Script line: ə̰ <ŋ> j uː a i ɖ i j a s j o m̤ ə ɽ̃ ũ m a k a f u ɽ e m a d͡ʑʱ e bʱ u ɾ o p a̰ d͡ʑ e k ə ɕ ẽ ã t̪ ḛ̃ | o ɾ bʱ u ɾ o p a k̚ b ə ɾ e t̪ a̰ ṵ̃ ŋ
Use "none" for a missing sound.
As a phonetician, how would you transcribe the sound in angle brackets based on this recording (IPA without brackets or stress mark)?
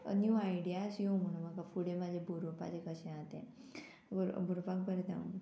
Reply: n